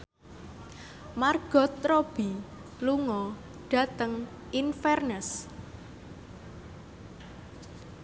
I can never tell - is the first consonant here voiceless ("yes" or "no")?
no